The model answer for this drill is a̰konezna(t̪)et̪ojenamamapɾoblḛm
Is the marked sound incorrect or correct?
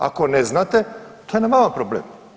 correct